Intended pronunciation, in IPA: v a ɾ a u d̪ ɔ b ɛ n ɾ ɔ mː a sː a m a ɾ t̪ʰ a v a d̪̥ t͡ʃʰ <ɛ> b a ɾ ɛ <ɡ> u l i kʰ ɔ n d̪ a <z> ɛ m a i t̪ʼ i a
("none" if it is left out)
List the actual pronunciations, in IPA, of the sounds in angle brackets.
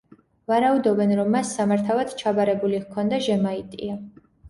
a, b, ʒ

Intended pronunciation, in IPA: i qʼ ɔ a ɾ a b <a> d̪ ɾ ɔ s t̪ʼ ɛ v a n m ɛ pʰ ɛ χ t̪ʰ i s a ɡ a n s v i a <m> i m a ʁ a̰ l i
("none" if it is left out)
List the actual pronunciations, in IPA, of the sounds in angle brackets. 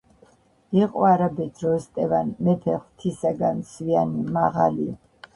ɛ, n

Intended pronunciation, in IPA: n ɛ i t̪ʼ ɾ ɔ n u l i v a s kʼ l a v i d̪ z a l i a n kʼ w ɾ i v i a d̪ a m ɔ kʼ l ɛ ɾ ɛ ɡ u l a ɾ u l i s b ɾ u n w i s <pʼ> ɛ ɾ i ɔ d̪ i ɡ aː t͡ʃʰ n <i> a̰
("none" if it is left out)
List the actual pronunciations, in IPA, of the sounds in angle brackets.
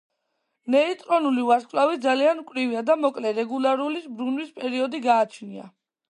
pʼ, i

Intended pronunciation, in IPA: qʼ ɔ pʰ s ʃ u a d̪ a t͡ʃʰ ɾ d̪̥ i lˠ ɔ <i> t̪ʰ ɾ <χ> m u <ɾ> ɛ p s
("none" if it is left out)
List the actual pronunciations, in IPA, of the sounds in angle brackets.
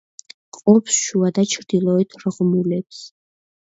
ɛ, ʁ, l

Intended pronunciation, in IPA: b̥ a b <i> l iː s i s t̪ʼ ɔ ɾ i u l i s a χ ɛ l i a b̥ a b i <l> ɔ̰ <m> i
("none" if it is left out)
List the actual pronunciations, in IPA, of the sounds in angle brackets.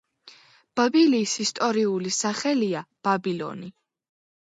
i, l, n

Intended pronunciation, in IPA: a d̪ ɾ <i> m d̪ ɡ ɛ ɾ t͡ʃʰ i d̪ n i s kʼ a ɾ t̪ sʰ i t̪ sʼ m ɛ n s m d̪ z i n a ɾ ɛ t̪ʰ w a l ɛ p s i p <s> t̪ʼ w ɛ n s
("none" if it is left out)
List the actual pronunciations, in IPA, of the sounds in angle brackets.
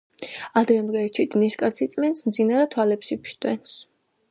ɛ, ʃ

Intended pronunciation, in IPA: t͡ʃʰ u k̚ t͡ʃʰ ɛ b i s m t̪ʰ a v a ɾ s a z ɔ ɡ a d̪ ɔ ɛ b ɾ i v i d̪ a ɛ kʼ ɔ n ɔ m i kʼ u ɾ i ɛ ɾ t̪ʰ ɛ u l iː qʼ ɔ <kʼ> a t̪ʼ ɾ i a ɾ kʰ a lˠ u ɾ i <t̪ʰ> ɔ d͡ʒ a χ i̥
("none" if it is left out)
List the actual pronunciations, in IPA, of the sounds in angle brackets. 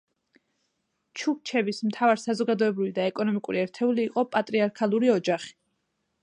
pʼ, none

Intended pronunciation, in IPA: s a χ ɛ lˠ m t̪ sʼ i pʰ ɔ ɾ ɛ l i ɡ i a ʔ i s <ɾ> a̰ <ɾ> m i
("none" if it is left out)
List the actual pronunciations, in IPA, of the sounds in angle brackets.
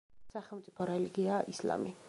l, none

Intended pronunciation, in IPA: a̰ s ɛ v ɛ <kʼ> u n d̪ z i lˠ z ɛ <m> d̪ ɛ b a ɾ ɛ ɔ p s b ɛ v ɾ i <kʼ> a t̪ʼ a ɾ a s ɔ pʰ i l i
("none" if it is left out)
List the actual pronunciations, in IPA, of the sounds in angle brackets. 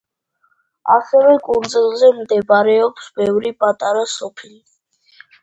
kʼ, m, pʼ

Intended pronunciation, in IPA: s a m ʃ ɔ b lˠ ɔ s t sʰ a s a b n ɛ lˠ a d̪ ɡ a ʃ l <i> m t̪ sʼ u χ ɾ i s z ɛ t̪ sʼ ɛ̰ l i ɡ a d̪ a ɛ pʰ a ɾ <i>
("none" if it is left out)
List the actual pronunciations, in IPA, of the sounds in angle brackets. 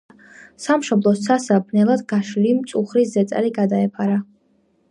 i, a

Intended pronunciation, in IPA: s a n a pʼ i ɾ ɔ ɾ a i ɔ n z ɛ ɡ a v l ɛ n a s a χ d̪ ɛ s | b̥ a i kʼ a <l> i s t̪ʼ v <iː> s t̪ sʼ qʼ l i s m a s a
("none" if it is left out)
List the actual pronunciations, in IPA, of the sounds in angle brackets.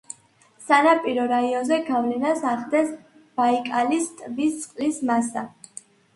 l, i

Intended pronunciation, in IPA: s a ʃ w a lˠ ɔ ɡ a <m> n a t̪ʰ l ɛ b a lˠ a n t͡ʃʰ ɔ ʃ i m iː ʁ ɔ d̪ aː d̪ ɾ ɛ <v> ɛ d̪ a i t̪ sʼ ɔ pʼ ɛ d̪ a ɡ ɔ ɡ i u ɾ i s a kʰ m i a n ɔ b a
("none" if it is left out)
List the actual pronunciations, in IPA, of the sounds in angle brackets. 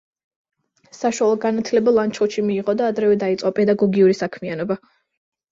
none, v

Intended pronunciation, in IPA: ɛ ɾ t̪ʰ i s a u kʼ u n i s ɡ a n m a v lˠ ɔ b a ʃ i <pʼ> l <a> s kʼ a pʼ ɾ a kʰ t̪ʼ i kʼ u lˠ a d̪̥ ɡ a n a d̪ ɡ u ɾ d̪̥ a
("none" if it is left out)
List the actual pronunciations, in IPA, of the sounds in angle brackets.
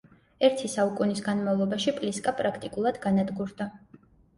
pʼ, i

